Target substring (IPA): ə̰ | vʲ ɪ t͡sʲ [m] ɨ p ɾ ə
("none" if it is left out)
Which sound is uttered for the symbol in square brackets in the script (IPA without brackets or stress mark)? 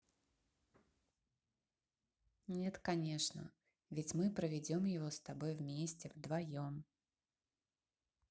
m